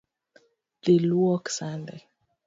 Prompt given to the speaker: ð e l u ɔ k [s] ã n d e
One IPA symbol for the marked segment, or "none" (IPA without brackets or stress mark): s